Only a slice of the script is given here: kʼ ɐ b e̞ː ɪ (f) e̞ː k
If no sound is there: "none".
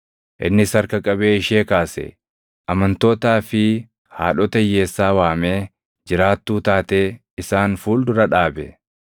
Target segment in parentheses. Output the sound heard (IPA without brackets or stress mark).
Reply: ʃ